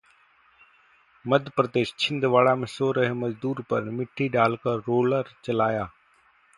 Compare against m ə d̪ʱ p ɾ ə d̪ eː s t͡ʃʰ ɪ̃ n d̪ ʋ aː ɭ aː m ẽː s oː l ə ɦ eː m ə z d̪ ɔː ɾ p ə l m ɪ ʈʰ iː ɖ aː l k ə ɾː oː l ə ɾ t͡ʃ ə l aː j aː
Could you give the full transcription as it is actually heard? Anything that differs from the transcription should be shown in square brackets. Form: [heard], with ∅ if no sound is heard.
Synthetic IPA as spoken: m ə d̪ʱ p ɾ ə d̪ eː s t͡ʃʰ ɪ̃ n d̪ ʋ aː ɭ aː m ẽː s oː [ɾ] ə ɦ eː m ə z d̪ [uː] ɾ p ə [ɾ] m ɪ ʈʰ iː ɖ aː l k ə ɾː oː l ə ɾ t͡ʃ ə l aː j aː